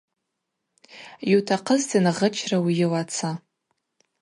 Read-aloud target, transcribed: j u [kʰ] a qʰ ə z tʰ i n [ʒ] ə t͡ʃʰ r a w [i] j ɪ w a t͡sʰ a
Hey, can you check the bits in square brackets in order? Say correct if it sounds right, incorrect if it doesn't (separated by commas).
incorrect, incorrect, correct